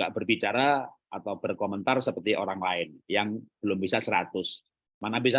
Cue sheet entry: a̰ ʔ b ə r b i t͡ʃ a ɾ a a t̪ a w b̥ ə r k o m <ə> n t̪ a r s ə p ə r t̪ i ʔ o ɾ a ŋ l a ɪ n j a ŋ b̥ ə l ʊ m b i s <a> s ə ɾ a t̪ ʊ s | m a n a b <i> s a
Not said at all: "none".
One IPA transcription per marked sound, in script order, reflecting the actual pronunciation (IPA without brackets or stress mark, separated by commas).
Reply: ə, a, i